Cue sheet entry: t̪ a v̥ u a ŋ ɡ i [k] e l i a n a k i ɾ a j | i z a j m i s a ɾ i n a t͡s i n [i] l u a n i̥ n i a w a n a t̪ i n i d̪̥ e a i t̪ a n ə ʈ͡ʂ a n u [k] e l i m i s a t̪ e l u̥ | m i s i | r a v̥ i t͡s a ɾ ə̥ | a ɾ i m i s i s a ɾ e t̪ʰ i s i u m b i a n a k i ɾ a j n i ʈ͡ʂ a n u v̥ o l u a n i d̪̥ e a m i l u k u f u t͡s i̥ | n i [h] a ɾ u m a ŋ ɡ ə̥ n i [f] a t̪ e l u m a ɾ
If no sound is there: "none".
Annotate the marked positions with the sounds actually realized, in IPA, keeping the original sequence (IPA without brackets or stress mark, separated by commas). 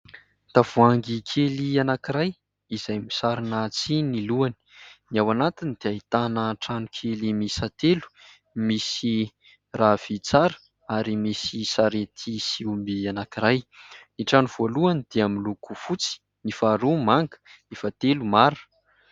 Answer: kʰ, i, kʰ, f, f